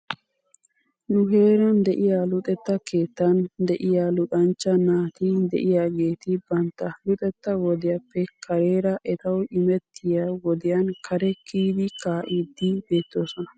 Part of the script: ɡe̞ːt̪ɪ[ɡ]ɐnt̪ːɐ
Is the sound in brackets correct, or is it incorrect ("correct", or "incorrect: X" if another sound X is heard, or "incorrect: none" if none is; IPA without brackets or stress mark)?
incorrect: b